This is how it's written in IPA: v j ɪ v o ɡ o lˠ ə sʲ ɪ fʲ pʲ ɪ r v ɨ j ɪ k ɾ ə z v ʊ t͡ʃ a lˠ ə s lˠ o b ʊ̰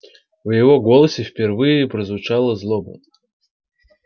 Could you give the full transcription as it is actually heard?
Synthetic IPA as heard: v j ɪ v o ɡ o lˠ ə sʲ ɪ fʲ pʲ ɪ r v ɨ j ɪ p ɾ ə z v ʊ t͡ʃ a lˠ ə z lˠ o b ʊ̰